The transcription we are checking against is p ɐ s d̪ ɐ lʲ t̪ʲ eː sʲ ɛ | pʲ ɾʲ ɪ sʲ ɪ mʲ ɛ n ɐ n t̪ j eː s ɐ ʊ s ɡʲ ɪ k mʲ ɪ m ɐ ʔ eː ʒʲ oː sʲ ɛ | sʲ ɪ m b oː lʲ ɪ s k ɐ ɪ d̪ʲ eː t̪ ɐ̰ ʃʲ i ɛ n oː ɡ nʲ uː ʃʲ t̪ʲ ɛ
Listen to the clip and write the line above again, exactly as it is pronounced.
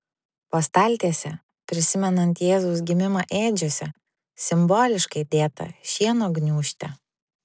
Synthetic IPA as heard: p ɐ s t̪ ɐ lʲ t̪ʲ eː sʲ ɛ | pʲ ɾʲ ɪ sʲ ɪ mʲ ɛ n ɐ n t̪ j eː z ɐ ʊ s ɡʲ ɪ mʲ ɪ m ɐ ʔ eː d͡ʒʲ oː sʲ ɛ | sʲ ɪ m b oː lʲ ɪ ʃ k ɐ ɪ d̪ʲ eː t̪ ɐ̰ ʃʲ i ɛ n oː ɡ nʲ uː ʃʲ t̪ʲ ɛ